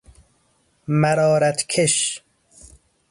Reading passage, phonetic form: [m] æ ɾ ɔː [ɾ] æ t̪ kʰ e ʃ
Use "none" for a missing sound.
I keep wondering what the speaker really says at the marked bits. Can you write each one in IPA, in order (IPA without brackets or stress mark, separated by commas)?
m, ɾ